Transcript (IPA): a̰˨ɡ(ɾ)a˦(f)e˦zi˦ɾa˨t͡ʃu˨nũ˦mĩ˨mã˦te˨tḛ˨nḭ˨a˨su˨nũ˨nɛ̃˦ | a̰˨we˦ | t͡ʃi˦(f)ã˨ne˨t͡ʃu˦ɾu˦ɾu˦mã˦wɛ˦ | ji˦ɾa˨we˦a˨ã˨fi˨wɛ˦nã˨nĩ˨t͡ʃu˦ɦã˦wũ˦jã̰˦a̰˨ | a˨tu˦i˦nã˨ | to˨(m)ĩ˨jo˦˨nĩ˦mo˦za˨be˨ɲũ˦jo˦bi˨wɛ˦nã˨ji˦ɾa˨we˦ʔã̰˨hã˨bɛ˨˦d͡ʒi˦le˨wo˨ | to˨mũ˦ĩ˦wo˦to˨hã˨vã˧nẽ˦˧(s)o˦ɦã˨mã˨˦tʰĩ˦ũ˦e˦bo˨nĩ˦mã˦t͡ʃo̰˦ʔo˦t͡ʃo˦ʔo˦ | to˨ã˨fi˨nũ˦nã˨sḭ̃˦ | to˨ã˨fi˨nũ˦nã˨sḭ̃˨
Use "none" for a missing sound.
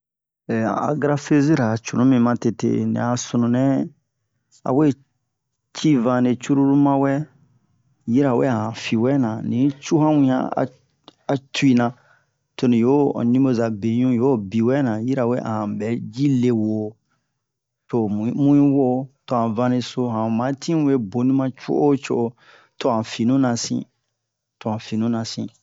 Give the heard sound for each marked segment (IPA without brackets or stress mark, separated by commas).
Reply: ɾ, f, v, n, s